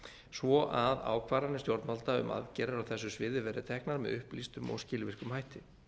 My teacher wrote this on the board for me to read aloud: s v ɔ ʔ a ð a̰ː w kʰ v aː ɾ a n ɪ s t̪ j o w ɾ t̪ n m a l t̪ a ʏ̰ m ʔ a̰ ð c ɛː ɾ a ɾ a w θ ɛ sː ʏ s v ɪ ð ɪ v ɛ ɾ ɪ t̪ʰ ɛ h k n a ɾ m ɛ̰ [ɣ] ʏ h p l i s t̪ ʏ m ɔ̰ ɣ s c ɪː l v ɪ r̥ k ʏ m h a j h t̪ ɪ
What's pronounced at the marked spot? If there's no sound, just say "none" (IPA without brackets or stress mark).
ð